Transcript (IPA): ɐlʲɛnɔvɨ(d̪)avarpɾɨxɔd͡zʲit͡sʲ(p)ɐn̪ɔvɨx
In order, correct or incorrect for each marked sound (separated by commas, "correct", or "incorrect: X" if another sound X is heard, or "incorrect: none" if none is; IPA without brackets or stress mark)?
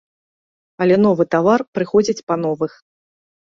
incorrect: t̪, correct